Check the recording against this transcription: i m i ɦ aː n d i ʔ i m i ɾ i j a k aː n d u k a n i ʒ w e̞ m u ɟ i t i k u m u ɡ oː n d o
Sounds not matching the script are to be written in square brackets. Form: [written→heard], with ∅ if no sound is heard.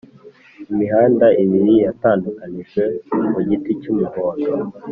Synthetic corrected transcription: i m i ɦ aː n d [i→a] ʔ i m i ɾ i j a [k→t] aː n d u k a n i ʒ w e̞ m u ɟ i t i [k→c] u m u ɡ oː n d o